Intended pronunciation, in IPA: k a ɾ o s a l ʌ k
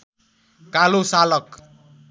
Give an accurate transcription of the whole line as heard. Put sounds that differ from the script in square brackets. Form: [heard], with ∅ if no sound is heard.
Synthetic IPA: k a [l] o s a l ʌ k